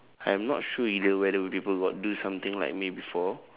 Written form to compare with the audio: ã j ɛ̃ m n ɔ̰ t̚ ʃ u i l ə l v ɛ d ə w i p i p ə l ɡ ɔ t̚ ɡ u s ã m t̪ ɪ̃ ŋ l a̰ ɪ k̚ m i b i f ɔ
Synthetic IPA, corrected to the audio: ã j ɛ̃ m n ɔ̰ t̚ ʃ u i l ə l w ɛ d ə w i p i p ə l ɡ ɔ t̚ d u s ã m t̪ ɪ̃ ŋ l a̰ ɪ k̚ m i b i f ɔ